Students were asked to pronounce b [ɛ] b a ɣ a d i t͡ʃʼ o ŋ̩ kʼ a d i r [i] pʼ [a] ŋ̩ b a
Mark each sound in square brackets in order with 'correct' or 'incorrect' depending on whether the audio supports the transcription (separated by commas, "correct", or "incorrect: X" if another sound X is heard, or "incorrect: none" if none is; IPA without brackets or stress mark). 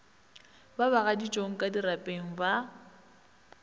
incorrect: a, incorrect: a, incorrect: e